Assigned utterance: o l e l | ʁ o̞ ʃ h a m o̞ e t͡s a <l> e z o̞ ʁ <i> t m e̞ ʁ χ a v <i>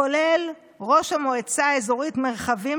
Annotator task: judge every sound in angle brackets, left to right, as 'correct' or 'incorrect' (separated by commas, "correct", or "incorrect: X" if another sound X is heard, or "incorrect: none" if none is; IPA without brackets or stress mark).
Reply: incorrect: none, correct, correct